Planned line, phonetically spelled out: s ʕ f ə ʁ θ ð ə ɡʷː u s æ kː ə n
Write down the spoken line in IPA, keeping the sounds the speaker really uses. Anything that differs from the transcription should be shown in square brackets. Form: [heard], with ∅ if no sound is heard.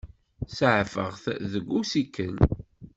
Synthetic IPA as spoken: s ʕ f ə ʁ θ ð ə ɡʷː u s [i] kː ə n